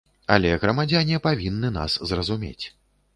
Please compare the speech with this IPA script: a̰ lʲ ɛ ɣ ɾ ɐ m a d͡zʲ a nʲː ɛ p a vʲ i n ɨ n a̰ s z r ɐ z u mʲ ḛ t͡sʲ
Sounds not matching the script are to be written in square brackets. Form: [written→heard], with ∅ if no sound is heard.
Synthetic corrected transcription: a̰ lʲ ɛ ɣ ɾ ɐ m a d͡zʲ a [nʲː→nʲ] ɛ p a vʲ i [n→nː] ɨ n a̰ s z r ɐ z u mʲ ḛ t͡sʲ

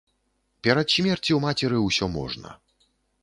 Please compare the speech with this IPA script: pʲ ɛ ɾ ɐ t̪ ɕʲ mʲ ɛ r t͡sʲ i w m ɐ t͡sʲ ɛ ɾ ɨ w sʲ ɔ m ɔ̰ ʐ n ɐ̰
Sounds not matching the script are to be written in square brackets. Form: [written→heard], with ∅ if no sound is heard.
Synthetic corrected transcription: pʲ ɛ ɾ ɐ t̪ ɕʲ mʲ ɛ r t͡sʲ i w m [ɐ→a] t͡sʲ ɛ ɾ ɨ w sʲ ɔ m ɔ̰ ʐ n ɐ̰

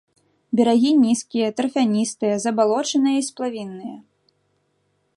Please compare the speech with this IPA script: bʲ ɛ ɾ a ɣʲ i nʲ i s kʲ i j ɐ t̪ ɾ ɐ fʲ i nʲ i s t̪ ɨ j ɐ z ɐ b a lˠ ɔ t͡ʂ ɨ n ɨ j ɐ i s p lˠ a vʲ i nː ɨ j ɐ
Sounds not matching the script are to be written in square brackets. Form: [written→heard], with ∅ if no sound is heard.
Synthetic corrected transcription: bʲ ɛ ɾ a ɣʲ i nʲ i s kʲ i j ɐ t̪ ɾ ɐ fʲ [i→a] nʲ i s t̪ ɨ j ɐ z ɐ b a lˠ ɔ t͡ʂ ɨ n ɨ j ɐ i s p lˠ a vʲ i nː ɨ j ɐ

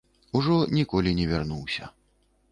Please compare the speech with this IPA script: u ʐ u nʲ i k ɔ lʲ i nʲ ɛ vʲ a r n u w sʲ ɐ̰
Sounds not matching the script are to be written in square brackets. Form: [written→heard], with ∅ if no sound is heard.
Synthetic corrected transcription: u ʐ [u→ɔ] nʲ i k ɔ lʲ i nʲ ɛ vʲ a r n u w sʲ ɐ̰

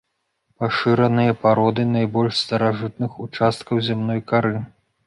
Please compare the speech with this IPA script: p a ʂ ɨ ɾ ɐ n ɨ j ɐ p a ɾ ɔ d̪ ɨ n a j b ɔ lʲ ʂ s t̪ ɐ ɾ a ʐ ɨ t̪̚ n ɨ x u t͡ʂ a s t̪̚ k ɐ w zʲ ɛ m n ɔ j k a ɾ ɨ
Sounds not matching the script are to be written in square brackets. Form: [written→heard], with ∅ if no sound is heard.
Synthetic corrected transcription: p a ʂ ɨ ɾ ɐ n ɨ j ɐ p a ɾ ɔ d̪ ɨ n a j b ɔ lʲ ʂ s t̪ ɐ ɾ a ʐ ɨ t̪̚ n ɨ x u t͡ʂ a s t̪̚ k ɐ w zʲ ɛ m n ɔ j k a ɾ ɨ

